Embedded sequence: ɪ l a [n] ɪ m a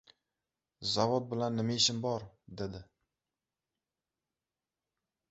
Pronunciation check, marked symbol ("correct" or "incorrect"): incorrect